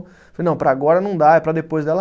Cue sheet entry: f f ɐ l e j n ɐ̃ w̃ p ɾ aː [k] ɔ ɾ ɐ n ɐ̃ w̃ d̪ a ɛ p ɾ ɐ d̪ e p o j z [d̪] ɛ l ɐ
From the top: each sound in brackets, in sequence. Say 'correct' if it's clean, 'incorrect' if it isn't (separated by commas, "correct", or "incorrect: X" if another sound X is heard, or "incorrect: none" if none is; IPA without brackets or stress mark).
incorrect: ɡ, correct